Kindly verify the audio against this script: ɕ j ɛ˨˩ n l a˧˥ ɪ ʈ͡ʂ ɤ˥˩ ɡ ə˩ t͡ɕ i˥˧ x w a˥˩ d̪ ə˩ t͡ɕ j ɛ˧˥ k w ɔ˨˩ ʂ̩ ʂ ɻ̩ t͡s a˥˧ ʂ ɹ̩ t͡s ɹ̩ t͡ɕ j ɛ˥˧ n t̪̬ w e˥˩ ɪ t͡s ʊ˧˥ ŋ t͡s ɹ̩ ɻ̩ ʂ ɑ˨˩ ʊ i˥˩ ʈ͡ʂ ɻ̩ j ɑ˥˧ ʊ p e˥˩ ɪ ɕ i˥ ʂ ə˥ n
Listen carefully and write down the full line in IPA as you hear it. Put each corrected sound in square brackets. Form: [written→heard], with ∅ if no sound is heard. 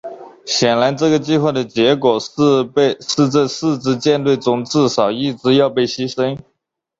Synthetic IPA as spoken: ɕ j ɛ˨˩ n l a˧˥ ɪ ʈ͡ʂ ɤ˥˩ ɡ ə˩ t͡ɕ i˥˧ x w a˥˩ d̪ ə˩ t͡ɕ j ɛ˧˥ k w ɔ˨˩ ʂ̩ ʂ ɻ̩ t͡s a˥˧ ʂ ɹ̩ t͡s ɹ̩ t͡ɕ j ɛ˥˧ n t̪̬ w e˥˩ ɪ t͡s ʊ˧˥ ŋ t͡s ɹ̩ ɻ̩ ʂ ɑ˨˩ ʊ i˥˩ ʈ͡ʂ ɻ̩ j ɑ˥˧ ʊ p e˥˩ ɪ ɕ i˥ ʂ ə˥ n